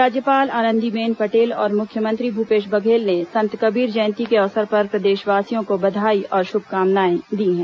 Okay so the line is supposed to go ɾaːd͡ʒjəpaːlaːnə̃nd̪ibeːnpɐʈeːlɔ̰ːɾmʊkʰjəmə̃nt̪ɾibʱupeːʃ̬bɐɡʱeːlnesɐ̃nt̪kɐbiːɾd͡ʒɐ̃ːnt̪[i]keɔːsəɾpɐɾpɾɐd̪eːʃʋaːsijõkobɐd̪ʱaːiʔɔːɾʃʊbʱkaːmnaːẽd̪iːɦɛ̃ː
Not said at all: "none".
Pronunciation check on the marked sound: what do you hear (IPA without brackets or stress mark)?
i